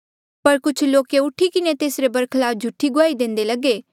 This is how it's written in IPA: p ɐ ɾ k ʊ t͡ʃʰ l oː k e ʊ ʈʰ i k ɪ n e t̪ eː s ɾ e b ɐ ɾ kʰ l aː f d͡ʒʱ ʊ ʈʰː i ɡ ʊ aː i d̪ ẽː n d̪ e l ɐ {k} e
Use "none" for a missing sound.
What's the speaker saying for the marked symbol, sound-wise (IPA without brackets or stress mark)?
ɡ